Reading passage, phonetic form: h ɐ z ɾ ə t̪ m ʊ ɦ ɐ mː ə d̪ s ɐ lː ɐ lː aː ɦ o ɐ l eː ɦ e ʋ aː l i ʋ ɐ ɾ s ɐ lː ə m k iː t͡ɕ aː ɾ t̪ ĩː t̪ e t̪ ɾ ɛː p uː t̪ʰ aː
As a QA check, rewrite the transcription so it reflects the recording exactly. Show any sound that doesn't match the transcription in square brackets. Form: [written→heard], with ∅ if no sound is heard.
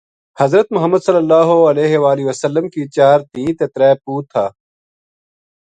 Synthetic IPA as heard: h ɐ z ɾ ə t̪ m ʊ ɦ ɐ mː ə d̪ s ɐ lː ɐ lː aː ɦ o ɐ l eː ɦ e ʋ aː l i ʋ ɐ [ɾ→∅] s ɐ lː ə m k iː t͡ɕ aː ɾ t̪ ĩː t̪ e t̪ ɾ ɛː p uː t̪ʰ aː